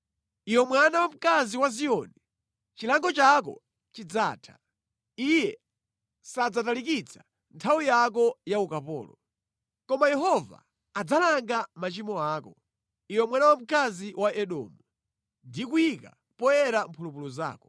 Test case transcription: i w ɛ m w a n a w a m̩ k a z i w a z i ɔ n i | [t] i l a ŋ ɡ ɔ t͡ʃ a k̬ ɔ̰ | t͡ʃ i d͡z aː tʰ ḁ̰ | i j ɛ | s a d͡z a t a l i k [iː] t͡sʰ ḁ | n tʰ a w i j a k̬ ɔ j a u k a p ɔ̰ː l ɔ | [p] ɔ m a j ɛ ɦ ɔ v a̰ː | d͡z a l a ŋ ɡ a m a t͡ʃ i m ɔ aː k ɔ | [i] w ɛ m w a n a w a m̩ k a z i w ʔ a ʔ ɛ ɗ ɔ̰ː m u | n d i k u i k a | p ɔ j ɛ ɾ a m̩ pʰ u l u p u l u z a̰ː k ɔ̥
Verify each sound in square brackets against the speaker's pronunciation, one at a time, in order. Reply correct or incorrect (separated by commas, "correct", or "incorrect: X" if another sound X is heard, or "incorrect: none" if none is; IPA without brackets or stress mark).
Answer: incorrect: t͡ʃ, incorrect: i, incorrect: k, correct